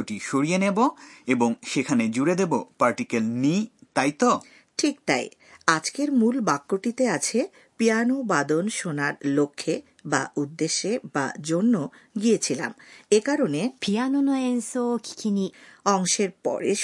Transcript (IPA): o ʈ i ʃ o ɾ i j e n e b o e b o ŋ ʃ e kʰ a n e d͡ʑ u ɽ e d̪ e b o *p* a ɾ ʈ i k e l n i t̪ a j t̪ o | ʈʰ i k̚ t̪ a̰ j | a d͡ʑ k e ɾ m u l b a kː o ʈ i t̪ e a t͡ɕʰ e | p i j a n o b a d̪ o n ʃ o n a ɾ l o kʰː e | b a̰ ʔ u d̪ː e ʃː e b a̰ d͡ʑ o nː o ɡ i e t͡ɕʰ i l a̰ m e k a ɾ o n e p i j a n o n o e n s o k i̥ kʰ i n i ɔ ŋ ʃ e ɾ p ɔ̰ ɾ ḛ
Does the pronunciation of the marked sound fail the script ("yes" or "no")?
no